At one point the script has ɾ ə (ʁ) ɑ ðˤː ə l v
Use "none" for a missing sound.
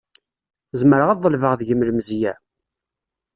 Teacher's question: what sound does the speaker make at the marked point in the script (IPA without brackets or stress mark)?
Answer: ʁ